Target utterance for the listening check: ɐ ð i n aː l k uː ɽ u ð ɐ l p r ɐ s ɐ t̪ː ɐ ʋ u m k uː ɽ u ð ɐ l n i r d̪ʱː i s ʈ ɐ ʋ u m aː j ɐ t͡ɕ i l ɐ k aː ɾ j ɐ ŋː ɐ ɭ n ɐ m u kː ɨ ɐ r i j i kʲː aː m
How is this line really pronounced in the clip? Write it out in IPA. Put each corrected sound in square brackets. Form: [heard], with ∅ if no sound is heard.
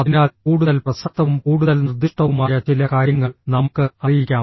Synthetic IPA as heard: ɐ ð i n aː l k uː ɽ u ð ɐ l p r ɐ s ɐ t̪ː ɐ ʋ u m k uː ɽ u ð ɐ l n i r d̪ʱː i [ʂ] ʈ ɐ ʋ u m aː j ɐ t͡ɕ i l ɐ k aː ɾ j ɐ ŋː ɐ ɭ n ɐ m u kː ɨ ɐ r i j i kʲː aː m

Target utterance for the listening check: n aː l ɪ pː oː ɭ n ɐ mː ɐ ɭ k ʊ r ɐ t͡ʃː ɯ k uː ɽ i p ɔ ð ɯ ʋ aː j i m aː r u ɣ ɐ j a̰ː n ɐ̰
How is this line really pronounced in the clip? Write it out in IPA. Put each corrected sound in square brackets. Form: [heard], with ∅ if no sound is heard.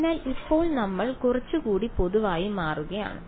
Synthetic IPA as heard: n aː l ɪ pː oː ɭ n ɐ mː ɐ ɭ k ʊ r ɐ t͡ʃː ɯ k uː ɽ i p ɔ ð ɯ ʋ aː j i m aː r [ɯ] ɣ ɐ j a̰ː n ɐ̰

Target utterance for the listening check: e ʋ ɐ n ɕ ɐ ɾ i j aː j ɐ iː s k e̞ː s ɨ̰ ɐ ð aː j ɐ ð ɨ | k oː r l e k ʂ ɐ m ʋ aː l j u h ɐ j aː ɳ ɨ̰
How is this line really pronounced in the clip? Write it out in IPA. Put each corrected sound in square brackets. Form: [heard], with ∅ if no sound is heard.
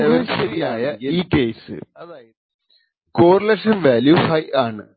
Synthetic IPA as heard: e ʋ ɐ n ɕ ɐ ɾ i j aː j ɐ iː [∅] k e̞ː s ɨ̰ ɐ ð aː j ɐ ð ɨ | k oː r l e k ʂ ɐ m ʋ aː l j u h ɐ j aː ɳ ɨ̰

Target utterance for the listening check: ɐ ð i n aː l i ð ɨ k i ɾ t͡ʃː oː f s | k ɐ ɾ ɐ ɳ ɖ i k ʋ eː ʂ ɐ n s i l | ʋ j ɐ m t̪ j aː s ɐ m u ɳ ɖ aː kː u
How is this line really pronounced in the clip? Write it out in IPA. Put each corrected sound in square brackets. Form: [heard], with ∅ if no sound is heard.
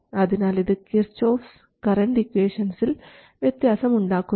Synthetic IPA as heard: ɐ ð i n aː l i ð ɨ k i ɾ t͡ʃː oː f s | k ɐ ɾ ɐ ɳ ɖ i k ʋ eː ʂ ɐ n s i l | ʋ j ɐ [∅] t̪ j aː s ɐ m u ɳ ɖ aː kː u

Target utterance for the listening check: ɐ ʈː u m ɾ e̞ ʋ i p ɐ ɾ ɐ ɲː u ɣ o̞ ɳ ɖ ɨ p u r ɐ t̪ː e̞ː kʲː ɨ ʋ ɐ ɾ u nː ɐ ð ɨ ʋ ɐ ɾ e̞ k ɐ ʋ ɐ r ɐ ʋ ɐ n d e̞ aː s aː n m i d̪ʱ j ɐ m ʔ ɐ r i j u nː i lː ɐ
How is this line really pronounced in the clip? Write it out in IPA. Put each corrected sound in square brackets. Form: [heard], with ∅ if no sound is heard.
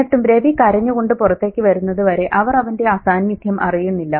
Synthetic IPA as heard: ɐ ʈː u m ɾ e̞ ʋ i [k] ɐ ɾ ɐ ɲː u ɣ o̞ ɳ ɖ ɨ p u r ɐ t̪ː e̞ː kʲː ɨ ʋ ɐ ɾ u nː ɐ ð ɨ ʋ ɐ ɾ e̞ [ʔ] ɐ ʋ ɐ r ɐ ʋ ɐ n d e̞ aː s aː n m i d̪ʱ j ɐ m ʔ ɐ r i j u nː i lː ɐ

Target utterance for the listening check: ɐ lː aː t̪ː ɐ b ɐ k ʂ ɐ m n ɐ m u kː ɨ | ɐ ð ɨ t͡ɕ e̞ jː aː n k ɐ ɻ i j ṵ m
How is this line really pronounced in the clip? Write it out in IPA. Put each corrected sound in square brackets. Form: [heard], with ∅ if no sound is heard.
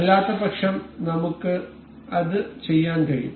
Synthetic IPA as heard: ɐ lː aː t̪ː ɐ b ɐ k ʂ ɐ m n ɐ m u kː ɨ | ɐ ð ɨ t͡ɕ e̞ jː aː n k ɐ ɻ i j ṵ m

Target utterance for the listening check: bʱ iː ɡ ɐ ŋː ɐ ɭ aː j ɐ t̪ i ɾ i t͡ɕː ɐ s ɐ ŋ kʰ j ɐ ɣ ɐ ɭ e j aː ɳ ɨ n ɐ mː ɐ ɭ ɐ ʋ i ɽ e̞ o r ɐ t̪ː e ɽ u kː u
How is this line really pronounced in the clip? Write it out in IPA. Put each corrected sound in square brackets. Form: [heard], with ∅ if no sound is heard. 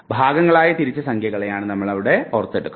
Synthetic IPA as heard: bʱ [aː] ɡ ɐ ŋː ɐ ɭ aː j ɐ t̪ i ɾ i t͡ɕː ɐ s ɐ ŋ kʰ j ɐ ɣ ɐ ɭ e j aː ɳ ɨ n ɐ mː ɐ ɭ ɐ ʋ i ɽ e̞ o r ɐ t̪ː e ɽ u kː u

